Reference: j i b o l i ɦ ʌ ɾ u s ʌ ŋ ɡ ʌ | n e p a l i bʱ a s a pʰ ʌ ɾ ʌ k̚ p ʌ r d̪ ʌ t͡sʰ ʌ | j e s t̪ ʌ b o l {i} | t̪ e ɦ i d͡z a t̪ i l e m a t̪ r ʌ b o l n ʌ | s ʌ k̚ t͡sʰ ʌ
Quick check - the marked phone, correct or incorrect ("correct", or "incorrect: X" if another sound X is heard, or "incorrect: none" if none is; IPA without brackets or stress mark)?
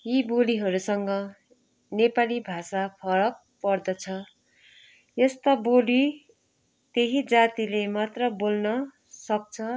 correct